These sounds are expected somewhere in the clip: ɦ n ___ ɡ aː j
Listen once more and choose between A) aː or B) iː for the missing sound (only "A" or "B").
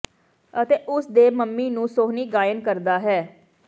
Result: B